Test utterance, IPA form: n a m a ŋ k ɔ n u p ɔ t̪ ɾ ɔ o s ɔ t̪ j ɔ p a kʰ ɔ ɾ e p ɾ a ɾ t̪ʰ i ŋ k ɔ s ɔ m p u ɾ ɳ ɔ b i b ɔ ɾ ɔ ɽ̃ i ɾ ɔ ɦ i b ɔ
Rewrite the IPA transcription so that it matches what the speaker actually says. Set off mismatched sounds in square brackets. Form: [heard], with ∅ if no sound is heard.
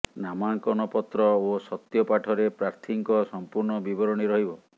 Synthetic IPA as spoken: n a m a ŋ k ɔ n [ɔ] p ɔ t̪ ɾ ɔ o s ɔ t̪ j ɔ p a [ʈʰ] ɔ ɾ e p ɾ a ɾ t̪ʰ i ŋ k ɔ s ɔ m p u ɾ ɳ ɔ b i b ɔ ɾ ɔ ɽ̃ i ɾ ɔ ɦ i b ɔ